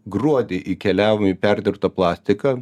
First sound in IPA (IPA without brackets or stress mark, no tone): ɡ